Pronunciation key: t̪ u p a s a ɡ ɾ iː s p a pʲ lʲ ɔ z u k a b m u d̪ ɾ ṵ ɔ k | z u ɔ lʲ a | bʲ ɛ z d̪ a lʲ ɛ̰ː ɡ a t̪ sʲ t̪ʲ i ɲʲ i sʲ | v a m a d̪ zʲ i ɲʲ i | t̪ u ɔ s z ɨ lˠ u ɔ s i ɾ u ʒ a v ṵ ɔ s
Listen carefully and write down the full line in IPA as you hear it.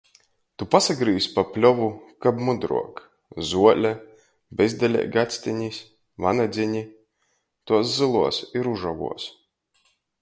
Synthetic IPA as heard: t̪ u p a s a ɡ ɾ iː s p a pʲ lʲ ɔ v u k a b m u d̪ ɾ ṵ ɔ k | z u ɔ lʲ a | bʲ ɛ z d̪ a lʲ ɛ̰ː ɡ a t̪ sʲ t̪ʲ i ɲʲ i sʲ | v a n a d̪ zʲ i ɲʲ i | t̪ u ɔ s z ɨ lˠ u ɔ s i ɾ u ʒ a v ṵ ɔ s

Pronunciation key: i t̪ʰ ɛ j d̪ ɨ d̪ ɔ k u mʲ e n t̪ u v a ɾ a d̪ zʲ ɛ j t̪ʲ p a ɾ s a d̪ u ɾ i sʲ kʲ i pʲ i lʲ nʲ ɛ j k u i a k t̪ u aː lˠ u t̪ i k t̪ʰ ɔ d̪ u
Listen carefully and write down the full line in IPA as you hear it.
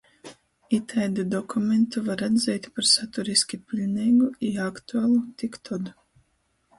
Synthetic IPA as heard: i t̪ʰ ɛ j d̪ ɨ d̪ ɔ k u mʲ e n t̪ u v a ɾ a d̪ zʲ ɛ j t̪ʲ p a ɾ s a t̪ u ɾ i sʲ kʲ i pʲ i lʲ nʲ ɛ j ɡ u i a k t̪ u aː lˠ u t̪ i k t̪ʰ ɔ d̪ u

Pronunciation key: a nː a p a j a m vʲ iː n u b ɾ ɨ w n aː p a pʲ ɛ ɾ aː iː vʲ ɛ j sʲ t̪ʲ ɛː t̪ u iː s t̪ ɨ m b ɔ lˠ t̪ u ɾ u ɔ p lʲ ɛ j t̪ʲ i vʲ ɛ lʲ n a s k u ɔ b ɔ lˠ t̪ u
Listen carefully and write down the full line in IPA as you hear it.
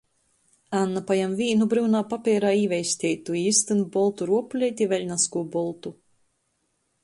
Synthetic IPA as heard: a nː a p a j a m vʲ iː n u b ɾ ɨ w n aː p a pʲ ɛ ɾ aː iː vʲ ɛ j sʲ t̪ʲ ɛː t̪ u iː s t̪ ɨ n b ɔ lˠ t̪ u ɾ u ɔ p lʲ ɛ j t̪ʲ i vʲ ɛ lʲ n a s k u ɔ b ɔ lˠ t̪ u

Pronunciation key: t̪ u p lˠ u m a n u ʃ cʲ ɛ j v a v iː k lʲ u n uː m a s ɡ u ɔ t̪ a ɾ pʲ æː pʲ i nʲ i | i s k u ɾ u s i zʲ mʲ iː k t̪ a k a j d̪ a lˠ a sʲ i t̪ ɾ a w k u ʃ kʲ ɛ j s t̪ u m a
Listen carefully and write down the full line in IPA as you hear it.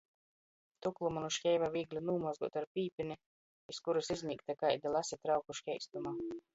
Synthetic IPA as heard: t̪ u k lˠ u m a n u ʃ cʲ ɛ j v a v iː ɡ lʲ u n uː m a z ɡ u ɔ t̪ a ɾ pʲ iː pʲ i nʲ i | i s k u ɾ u s i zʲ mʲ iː k t̪ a k a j d̪ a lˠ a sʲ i t̪ ɾ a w k u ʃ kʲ ɛ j s t̪ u m a

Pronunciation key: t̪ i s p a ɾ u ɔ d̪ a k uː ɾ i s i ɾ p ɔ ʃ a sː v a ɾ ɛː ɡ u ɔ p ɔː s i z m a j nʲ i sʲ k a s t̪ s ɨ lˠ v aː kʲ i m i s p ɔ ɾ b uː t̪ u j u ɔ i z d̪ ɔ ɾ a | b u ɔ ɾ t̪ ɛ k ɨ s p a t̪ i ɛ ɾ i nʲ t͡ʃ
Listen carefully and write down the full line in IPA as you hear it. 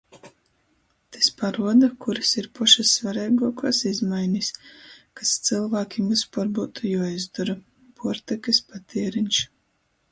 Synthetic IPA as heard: t̪ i s p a ɾ u ɔ d̪ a k u ɾ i s i ɾ p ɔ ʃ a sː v a ɾ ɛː ɡ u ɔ k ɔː s i z m a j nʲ i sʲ k a s t̪ s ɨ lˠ v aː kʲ i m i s p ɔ ɾ b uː t̪ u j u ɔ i z d̪ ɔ ɾ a | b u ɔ ɾ t̪ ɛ k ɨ s p a t̪ i ɛ ɾ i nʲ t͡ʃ

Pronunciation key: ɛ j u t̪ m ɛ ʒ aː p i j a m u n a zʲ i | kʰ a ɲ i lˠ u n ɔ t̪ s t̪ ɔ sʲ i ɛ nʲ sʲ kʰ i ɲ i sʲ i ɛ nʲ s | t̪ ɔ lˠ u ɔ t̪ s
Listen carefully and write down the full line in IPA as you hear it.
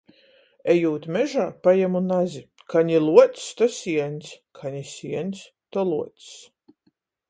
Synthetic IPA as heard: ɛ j uː t̪ m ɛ ʒ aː p a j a m u n a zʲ i | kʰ a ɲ i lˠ u ɔ t̪ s t̪ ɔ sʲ i ɛ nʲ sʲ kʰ a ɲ i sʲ i ɛ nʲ s | t̪ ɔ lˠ u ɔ t̪ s

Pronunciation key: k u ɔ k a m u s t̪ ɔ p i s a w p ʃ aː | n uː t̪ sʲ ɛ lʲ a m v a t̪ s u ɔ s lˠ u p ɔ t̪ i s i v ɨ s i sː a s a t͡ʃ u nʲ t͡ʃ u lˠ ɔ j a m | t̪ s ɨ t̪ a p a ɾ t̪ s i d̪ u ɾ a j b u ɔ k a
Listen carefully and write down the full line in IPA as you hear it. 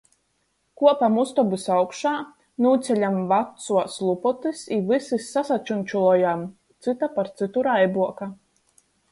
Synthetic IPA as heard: k u ɔ p a m u s t̪ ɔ b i s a w k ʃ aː | n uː t̪ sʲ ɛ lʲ a m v a t̪ s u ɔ s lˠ u p ɔ t̪ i s i v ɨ s i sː a s a t͡ʃ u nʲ t͡ʃ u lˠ ɔ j a m | t̪ s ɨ t̪ a p a ɾ t̪ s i t̪ u ɾ a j b u ɔ k a

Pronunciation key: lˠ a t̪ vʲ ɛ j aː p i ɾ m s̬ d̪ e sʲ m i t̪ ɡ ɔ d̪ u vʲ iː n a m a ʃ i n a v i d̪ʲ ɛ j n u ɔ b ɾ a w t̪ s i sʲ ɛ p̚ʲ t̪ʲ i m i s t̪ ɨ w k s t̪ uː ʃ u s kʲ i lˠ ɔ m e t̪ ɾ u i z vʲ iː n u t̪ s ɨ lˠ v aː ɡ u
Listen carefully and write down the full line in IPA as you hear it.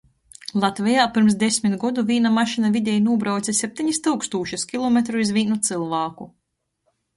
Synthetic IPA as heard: lˠ a t̪ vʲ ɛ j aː p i ɾ m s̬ d̪ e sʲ m i t̪ ɡ ɔ d̪ u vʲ iː n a m a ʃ i n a v i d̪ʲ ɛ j n u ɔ b ɾ a w t̪ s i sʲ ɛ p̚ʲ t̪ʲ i ɲ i s t̪ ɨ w k s t̪ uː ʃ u s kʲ i lˠ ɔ m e t̪ ɾ u i z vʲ iː n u t̪ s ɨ lˠ v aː k u

